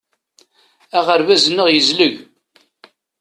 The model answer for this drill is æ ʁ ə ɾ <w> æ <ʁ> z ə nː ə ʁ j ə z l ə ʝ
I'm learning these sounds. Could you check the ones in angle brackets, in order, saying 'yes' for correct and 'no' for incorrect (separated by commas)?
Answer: no, no